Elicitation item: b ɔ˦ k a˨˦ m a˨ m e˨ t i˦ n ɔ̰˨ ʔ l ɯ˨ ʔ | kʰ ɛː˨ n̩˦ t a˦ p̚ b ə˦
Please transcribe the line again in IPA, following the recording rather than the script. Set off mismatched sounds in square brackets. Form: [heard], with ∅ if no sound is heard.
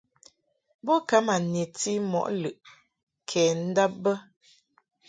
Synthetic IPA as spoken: b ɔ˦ k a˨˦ m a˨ [n] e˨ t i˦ [m] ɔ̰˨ ʔ l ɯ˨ ʔ | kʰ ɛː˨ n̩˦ [d] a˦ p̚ b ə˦